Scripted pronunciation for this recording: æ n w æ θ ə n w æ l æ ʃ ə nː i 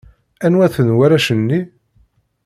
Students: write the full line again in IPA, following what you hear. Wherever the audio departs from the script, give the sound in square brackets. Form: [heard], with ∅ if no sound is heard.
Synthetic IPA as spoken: æ n w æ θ ə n w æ [ɾ] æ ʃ ə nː i